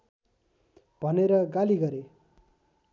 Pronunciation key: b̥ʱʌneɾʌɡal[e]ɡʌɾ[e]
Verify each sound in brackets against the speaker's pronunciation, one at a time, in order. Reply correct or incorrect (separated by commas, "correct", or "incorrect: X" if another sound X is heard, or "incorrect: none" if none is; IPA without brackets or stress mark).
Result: incorrect: i, correct